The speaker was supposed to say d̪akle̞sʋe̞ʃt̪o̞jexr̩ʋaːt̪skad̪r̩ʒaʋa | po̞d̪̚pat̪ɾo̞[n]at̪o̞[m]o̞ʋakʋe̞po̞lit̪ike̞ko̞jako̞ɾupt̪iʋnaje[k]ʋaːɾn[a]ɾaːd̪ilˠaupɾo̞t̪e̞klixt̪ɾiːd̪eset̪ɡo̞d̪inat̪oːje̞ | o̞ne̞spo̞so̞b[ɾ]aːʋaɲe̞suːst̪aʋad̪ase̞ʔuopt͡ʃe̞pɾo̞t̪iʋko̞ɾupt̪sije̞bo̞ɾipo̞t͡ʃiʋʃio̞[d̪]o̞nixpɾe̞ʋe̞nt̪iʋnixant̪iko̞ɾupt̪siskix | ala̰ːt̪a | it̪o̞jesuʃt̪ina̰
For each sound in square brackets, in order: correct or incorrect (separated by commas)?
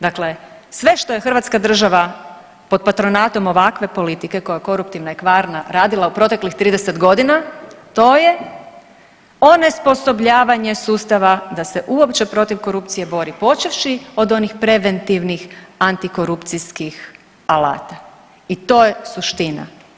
correct, correct, correct, correct, incorrect, correct